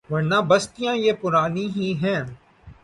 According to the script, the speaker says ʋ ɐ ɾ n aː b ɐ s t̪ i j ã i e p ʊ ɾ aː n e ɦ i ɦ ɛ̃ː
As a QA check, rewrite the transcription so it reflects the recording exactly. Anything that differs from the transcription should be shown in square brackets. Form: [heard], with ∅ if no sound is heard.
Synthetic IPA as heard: ʋ ɐ ɾ n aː b ɐ s t̪ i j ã [j] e p ʊ ɾ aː n [i] ɦ i ɦ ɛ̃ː